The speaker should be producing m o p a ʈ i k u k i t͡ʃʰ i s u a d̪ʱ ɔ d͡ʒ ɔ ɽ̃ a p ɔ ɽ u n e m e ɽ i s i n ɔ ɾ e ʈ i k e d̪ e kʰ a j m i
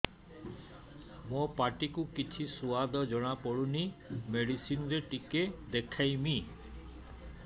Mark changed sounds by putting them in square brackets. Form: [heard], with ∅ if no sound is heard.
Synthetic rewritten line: m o p a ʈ i k u k i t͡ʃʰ i s u a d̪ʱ ɔ d͡ʒ ɔ ɽ̃ a p ɔ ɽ u n [i] m e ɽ i s i n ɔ ɾ e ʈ i k e d̪ e kʰ a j m i